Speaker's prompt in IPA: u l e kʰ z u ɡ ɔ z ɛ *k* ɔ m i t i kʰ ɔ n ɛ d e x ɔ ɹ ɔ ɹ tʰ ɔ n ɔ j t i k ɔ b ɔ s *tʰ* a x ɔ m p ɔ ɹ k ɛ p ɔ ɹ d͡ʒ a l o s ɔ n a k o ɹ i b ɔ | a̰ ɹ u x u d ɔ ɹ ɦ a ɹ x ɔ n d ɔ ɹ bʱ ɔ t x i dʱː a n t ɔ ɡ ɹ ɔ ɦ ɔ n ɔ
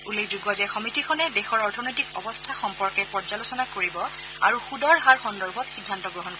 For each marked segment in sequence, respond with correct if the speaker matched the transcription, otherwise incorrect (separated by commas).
incorrect, correct